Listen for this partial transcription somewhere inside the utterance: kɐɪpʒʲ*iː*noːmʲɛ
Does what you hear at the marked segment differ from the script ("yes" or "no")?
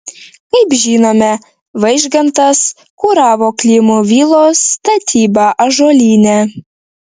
no